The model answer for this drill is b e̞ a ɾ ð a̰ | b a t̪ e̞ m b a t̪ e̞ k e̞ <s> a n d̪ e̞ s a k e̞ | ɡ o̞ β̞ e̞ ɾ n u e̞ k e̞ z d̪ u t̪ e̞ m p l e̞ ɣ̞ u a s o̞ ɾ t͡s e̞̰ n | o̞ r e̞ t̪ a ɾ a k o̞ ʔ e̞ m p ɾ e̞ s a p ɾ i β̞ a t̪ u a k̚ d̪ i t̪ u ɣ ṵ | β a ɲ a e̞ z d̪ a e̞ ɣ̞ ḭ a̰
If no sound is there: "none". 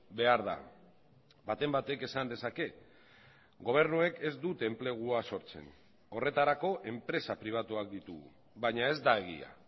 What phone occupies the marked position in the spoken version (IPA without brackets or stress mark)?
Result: s